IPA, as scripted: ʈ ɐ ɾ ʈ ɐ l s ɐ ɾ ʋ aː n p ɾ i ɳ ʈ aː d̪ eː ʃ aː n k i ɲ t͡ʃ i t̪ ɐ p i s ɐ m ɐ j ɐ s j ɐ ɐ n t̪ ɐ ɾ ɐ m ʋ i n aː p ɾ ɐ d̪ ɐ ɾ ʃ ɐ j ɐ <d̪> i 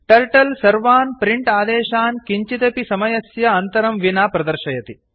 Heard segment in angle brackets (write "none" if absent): t̪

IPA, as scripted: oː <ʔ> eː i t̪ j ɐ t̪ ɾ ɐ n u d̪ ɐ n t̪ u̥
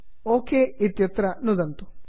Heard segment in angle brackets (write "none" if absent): k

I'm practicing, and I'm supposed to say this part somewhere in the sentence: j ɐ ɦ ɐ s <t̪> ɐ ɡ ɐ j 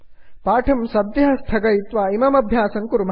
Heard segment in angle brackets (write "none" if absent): t̪ʰ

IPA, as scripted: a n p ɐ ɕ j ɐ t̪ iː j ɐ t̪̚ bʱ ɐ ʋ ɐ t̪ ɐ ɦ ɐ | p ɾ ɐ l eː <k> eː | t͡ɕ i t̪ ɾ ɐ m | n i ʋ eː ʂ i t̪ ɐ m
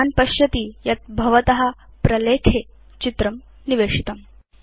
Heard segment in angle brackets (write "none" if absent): kʰ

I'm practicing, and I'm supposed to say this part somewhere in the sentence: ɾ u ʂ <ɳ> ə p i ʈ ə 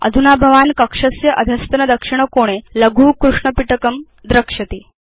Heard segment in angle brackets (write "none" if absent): ɳ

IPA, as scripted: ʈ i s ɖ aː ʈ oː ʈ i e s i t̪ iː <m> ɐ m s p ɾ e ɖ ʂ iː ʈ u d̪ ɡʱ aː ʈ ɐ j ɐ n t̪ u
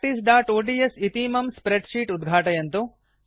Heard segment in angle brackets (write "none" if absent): m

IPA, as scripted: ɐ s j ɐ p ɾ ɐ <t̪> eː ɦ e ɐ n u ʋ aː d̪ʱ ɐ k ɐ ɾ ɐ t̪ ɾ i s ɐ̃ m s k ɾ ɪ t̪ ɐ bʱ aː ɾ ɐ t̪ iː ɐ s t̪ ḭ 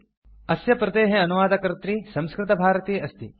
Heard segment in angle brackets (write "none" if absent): d̪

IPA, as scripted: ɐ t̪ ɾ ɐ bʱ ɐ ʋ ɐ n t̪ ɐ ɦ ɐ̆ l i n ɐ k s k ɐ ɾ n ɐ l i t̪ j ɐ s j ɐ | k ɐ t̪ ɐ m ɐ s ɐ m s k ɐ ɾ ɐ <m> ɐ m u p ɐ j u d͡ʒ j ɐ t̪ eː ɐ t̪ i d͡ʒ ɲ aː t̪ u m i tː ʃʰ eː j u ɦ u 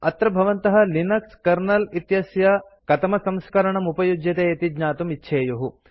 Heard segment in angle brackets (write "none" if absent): ɳ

